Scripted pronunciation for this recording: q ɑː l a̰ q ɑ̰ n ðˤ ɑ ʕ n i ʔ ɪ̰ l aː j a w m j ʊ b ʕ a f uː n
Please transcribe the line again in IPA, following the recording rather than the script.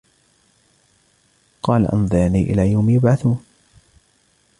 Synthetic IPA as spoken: q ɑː l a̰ ʔ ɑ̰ n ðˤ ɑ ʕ n iː ʔ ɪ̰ l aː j a w m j ʊ b ʕ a θ uː n